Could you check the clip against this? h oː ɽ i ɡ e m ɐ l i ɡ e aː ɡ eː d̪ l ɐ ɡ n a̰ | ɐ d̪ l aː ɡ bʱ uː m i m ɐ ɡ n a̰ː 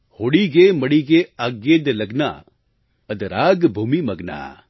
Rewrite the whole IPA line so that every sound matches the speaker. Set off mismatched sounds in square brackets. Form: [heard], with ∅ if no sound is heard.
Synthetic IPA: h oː ɽ i ɡ e m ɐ [ɽ] i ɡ e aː ɡ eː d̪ l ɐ ɡ n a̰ | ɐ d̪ [ɾ] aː ɡ bʱ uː m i m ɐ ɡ n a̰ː